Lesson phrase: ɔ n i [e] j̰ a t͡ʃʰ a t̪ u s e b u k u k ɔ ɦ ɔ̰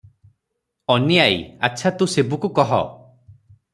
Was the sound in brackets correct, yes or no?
no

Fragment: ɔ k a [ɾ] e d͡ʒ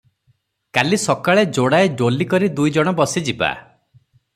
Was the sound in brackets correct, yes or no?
no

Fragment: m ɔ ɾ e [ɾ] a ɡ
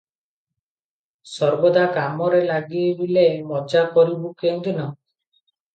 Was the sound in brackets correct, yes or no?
no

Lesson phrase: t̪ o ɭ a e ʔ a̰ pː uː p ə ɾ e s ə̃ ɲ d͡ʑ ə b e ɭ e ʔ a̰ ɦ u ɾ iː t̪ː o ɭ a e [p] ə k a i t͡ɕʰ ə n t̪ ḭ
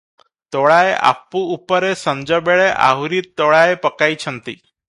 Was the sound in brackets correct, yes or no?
yes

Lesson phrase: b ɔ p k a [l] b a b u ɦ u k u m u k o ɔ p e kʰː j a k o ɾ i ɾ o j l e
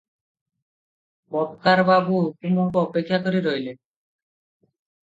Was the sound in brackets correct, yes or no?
no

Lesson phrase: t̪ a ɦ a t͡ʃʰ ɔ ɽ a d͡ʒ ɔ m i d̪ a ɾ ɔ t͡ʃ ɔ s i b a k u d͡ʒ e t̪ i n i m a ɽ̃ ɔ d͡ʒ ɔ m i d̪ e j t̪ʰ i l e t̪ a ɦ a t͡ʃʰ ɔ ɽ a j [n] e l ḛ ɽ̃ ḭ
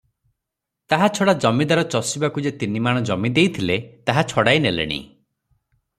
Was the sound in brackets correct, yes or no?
yes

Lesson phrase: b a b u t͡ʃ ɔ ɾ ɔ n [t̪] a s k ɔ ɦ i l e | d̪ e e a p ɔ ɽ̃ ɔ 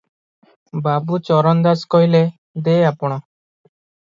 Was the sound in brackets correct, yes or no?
no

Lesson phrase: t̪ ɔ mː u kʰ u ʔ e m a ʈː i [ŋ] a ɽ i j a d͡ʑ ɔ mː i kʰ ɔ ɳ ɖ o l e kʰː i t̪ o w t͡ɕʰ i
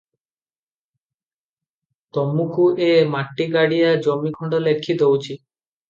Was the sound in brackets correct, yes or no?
no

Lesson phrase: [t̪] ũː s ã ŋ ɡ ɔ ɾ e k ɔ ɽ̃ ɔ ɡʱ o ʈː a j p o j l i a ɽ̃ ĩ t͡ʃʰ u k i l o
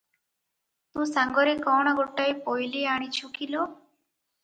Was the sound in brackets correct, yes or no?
yes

